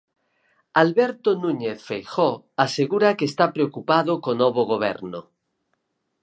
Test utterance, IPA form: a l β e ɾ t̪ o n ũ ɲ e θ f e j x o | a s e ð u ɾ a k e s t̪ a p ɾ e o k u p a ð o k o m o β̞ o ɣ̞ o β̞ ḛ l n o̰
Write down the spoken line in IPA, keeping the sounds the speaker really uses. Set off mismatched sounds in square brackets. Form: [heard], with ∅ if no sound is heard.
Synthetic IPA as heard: a l β e ɾ t̪ o n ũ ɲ e θ f e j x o | a s e [ɣ] u ɾ a k e s t̪ a p ɾ e o k u p a ð o k o [n] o β̞ o ɣ̞ o β̞ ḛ [ɾ] n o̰